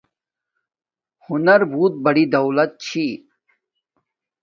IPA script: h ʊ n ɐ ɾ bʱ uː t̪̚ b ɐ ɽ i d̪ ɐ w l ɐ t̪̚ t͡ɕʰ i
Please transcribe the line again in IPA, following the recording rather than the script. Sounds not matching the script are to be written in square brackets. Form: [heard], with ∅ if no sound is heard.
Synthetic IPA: h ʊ n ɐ ɾ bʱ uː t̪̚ b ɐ ɽ i d̪ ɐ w l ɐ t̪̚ t͡ɕʰ i